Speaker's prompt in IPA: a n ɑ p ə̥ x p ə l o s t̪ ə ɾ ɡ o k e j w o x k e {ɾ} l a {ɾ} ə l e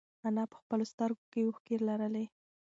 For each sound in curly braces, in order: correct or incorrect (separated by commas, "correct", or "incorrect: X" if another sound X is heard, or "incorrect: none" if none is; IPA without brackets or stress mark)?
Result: correct, correct